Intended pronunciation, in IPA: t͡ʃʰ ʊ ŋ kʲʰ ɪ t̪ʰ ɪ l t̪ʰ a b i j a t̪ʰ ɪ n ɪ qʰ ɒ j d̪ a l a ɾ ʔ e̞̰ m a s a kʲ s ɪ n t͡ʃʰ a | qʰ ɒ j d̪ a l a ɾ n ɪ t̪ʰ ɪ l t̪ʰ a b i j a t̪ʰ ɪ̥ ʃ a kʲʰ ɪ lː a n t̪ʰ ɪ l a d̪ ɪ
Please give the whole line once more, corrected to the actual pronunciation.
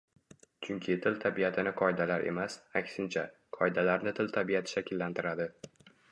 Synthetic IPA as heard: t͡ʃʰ ʊ ŋ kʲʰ ɪ t̪ʰ ɪ l t̪ʰ a b i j a t̪ʰ ɪ n ɪ qʰ ɒ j d̪ a l a ɾ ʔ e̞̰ m a s a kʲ s ɪ n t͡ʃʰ a | qʰ ɒ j d̪ a l a ɾ n ɪ t̪ʰ ɪ l t̪ʰ a b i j a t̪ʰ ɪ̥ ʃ a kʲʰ ɪ lː a n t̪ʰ ɪ ɾ a d̪ ɪ